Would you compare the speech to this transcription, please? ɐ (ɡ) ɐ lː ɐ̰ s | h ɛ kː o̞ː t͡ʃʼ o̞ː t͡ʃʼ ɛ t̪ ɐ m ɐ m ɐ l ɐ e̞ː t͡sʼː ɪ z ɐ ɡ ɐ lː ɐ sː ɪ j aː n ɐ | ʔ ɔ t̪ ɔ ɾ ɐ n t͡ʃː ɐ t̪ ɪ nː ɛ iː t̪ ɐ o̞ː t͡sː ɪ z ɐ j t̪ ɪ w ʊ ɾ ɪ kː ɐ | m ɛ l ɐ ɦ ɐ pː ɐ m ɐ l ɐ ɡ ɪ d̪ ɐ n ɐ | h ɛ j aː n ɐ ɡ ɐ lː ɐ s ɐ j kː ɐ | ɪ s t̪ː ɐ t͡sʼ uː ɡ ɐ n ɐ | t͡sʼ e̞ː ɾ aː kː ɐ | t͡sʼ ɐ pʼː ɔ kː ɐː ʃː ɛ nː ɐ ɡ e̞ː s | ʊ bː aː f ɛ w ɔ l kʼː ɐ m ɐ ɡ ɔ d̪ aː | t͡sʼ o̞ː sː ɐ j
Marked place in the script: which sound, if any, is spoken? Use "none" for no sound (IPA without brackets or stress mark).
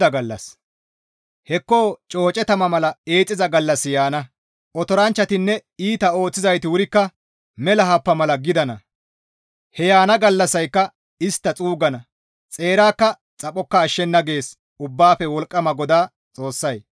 ɡ